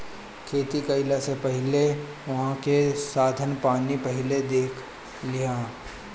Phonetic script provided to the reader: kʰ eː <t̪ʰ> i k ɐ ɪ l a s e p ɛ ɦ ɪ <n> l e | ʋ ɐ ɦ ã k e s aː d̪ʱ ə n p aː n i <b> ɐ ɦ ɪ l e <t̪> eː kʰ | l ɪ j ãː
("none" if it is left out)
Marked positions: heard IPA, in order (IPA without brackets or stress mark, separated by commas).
t̪, none, p, d̪